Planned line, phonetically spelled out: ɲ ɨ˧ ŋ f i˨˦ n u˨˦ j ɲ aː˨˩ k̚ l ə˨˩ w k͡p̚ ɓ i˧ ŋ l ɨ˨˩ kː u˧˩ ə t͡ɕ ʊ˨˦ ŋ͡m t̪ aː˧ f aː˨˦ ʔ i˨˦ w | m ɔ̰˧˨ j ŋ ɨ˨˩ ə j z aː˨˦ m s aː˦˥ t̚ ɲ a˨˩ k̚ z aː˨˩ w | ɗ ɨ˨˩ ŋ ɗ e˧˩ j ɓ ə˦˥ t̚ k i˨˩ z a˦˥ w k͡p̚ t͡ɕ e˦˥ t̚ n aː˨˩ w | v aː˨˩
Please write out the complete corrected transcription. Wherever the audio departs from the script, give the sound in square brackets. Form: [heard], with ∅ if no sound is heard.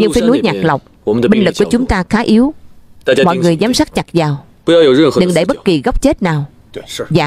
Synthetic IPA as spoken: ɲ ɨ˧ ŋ f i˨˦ n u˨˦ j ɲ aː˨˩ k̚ l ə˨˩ w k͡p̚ ɓ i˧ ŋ l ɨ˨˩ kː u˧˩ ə t͡ɕ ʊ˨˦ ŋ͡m t̪ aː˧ [x] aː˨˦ ʔ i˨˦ w | m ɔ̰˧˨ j ŋ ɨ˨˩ ə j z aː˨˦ m s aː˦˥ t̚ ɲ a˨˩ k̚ z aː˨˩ w | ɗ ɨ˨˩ ŋ ɗ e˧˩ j ɓ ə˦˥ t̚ k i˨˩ [ɣ] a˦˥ w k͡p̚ t͡ɕ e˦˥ t̚ n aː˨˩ w | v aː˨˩